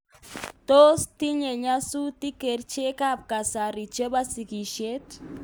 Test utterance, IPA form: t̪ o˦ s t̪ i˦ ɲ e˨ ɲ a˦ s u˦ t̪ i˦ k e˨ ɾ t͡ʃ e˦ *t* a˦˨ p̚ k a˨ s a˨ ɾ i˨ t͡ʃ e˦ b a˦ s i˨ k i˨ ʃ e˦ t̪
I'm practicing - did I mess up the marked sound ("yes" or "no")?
yes